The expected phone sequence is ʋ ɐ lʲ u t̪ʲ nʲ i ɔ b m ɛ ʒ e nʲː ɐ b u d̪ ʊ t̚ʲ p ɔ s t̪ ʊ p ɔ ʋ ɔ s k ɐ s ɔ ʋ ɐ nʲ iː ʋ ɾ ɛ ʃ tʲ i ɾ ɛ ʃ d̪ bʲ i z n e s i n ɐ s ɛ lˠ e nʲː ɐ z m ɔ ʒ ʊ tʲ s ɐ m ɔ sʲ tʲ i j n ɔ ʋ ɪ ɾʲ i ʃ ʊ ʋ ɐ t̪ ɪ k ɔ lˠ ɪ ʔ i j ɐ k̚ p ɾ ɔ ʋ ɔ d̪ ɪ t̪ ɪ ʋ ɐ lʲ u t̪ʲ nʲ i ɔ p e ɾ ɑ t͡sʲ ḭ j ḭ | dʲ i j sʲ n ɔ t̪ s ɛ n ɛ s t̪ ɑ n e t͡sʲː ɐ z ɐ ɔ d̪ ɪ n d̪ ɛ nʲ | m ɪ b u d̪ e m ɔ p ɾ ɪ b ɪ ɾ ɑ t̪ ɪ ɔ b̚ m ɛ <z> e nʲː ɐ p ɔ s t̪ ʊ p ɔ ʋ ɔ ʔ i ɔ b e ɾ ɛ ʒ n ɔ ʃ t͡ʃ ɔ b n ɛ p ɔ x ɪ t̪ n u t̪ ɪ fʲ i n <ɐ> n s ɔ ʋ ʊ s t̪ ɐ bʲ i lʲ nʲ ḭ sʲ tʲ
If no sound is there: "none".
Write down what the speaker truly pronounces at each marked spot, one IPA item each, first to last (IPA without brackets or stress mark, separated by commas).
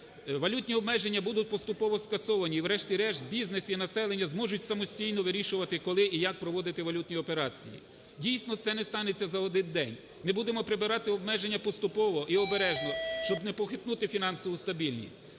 ʒ, ɑ